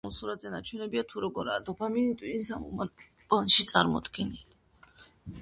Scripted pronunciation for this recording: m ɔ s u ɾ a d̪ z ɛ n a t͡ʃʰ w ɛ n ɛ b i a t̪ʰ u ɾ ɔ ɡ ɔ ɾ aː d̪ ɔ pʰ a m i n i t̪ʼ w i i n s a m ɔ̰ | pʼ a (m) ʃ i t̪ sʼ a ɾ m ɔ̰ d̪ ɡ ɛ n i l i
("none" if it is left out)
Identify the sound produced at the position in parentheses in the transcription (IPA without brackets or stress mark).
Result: n